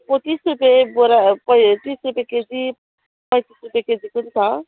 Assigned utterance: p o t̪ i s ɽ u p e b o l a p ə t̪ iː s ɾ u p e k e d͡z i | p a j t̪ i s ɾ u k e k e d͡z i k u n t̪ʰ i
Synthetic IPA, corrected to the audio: p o t̪ i s ɾ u p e b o ɾ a p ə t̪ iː s ɾ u p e k e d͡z i | p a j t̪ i s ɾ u p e k e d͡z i k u n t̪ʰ a